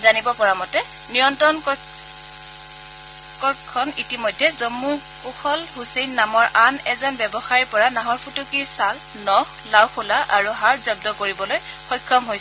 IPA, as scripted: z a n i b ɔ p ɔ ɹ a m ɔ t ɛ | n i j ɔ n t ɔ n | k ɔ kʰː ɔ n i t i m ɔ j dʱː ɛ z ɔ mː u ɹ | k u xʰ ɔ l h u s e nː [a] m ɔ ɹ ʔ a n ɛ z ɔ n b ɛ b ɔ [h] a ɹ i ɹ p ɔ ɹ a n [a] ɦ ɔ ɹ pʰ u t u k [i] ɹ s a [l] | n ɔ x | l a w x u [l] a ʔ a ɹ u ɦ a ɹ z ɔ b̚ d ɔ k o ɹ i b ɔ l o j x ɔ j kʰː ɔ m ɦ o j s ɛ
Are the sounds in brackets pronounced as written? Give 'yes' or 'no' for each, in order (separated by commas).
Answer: yes, no, yes, yes, yes, yes